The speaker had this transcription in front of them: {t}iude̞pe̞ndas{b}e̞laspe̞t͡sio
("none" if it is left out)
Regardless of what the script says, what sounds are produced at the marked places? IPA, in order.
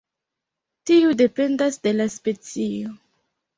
t, d

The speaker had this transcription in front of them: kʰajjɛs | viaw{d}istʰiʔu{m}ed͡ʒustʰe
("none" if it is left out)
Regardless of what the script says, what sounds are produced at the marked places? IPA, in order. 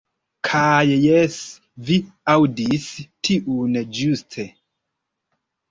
d, n

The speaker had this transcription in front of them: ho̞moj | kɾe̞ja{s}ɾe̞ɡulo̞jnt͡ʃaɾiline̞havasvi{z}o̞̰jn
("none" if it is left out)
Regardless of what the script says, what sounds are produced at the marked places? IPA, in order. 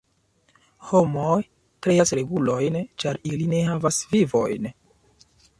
s, v

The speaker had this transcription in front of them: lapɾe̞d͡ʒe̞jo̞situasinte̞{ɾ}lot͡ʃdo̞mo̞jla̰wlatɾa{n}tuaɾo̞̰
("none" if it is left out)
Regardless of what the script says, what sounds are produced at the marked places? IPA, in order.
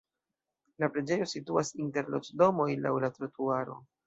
ɾ, none

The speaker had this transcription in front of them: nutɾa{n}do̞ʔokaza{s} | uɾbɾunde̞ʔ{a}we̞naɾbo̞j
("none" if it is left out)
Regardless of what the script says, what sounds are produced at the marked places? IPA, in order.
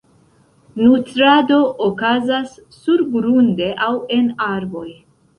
none, sː, a

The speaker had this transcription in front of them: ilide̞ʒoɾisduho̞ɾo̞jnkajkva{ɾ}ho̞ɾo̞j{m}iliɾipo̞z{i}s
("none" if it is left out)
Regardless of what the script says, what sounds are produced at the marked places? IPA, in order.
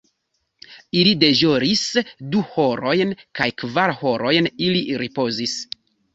ɾ, n, i

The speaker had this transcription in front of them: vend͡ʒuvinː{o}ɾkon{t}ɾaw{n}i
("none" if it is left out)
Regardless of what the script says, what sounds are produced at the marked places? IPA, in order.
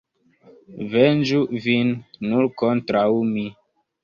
u, t, m

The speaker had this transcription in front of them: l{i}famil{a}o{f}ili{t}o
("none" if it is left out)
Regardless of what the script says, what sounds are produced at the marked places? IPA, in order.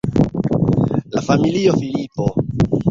a, i, f, p

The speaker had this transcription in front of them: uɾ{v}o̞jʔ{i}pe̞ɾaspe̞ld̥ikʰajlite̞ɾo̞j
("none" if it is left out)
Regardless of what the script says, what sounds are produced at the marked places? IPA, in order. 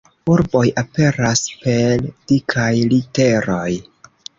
b, a

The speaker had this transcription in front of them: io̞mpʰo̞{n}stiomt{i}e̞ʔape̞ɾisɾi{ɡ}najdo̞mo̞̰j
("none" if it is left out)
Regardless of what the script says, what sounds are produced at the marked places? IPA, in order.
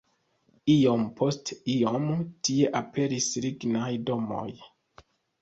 none, i, ɡ

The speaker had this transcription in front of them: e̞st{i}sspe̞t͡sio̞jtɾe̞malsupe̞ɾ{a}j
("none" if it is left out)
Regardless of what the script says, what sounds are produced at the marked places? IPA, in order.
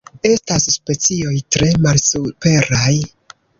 a, a

